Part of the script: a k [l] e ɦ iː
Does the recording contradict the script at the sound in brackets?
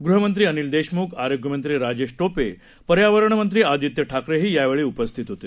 yes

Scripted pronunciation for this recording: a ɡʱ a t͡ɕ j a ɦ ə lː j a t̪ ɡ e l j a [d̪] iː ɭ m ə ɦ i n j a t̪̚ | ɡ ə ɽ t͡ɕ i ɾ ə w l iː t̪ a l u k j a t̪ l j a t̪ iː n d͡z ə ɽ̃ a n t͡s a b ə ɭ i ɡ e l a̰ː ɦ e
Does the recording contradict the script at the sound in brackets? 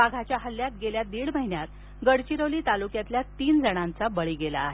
no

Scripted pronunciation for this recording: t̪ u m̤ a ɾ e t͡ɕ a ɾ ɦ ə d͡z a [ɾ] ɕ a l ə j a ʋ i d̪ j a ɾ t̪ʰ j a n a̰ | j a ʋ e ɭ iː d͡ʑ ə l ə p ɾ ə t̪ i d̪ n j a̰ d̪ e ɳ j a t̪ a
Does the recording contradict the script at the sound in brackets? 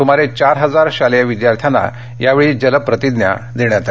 no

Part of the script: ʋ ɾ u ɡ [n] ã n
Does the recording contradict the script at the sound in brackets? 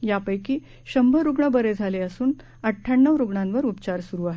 yes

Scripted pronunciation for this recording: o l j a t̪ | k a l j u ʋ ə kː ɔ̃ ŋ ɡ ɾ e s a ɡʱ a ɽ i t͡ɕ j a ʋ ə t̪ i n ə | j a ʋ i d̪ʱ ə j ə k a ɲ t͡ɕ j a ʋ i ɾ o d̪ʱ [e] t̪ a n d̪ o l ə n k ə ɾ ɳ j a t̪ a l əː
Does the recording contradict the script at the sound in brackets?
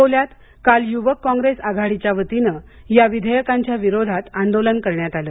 yes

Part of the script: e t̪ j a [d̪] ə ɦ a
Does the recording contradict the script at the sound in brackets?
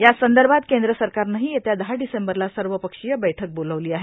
no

